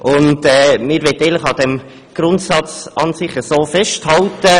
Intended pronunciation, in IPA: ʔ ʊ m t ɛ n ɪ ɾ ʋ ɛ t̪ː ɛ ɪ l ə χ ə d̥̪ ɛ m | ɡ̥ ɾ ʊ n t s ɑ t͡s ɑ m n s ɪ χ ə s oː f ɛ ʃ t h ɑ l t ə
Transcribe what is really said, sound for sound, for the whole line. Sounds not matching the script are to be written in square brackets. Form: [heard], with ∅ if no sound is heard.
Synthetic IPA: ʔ ʊ [n] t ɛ [m] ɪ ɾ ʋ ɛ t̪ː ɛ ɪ l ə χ [ɑ] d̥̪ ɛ m | ɡ̥ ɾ ʊ n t s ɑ t͡s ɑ [∅] n s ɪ χ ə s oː f ɛ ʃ t h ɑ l t ə